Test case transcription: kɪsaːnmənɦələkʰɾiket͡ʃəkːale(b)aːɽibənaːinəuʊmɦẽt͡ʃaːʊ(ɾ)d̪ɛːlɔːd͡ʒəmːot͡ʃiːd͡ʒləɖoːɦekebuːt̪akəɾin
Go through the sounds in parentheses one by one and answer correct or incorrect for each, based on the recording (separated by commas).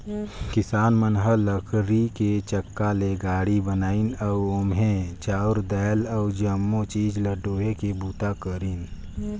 incorrect, correct